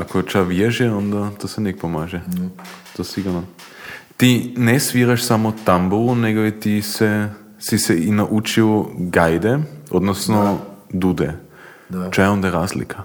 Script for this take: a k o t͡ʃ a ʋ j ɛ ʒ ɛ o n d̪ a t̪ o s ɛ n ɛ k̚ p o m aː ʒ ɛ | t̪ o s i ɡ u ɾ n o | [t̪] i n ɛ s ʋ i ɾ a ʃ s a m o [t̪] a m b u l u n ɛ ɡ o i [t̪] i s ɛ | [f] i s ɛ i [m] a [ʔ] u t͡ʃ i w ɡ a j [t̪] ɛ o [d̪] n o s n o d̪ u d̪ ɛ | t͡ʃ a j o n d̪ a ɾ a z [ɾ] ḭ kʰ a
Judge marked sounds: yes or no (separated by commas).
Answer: yes, yes, yes, no, no, yes, no, yes, no